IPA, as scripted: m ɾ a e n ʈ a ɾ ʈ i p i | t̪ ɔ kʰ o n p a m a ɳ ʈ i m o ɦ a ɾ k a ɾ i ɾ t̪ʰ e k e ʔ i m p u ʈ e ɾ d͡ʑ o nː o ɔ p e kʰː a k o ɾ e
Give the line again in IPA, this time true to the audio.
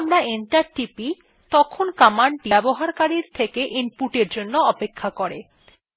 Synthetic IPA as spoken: m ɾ a e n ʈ a ɾ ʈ i p i | t̪ ɔ kʰ o n k a m a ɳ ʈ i b o ɦ a ɾ k a ɾ i ɾ t̪ʰ e k e ʔ i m p u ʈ e ɾ d͡ʑ o nː o ɔ p e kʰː a k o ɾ e

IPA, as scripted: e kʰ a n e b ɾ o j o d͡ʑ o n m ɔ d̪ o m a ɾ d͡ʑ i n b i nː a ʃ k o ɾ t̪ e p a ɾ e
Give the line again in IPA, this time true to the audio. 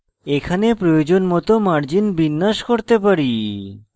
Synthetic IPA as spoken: e kʰ a n e p ɾ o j o d͡ʑ o n m ɔ t̪ o m a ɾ d͡ʑ i n b i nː a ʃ k o ɾ t̪ e p a ɾ i

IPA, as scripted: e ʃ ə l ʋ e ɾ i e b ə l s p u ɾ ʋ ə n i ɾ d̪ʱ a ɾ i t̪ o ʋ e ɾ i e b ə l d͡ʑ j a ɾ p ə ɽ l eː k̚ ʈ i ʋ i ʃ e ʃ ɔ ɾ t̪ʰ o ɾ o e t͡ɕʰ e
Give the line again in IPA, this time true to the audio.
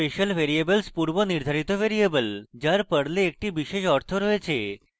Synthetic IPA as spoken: e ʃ ə l ʋ e ɾ i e b ə l s p u ɾ ʋ ə n i ɾ d̪ʱ a ɾ i t̪ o ʋ e ɾ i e b ə l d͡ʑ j a ɾ p ə ɽ l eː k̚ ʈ i ʋ i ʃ e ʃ ɔ ɾ t̪ʰ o ɾ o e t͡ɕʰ e

